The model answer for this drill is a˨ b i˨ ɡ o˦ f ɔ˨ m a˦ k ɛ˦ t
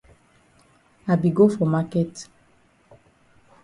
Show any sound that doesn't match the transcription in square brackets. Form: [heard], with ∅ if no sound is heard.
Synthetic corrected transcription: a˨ b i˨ ɡ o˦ f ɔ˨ m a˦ k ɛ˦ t

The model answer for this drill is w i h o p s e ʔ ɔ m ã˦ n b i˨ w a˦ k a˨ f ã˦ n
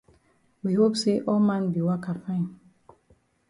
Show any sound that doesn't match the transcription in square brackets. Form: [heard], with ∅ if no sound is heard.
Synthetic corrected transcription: w i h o p s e ʔ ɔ m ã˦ n b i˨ w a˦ k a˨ f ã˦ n

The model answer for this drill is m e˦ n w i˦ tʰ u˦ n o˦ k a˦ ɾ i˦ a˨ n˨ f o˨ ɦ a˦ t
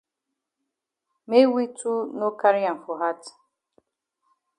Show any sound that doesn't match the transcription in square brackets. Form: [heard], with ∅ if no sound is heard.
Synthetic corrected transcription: m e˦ [∅] w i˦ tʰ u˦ n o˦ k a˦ ɾ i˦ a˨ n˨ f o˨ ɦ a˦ t

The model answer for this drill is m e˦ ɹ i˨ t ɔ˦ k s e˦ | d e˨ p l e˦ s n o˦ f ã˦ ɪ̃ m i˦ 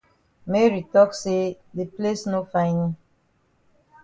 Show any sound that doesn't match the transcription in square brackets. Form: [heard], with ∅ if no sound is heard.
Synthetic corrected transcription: m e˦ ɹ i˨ t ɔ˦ k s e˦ | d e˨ p l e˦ s n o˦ f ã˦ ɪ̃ [n] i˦

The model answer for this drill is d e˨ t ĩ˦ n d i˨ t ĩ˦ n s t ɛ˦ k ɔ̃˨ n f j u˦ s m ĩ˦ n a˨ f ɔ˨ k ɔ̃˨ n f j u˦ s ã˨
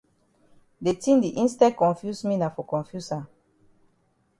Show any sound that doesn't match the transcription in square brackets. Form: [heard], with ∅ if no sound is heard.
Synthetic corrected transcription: d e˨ t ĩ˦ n d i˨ [ʔ] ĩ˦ n s t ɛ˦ k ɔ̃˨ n f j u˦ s m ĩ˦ n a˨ f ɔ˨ k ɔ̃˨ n f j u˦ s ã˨

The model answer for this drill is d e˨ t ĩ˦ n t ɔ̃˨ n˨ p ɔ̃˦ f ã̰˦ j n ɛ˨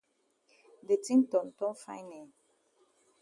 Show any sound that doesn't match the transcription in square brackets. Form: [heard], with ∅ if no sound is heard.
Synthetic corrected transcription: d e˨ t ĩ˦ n t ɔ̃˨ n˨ [t] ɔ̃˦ f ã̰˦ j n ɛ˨

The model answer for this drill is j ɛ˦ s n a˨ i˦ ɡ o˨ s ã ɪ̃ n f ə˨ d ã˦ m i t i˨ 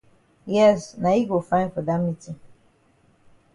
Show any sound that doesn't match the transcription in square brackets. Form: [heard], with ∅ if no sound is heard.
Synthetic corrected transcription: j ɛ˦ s n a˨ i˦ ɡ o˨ [f] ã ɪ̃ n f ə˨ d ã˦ m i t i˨

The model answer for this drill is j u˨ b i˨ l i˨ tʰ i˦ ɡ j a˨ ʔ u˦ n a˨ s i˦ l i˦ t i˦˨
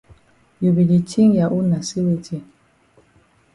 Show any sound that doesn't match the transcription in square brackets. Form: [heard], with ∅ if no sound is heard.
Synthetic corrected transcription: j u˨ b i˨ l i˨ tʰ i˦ [ŋ] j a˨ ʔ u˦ n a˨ s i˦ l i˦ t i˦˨

